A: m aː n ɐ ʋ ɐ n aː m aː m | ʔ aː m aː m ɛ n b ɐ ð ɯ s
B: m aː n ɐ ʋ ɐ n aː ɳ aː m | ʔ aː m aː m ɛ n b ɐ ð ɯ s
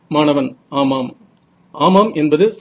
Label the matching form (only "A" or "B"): A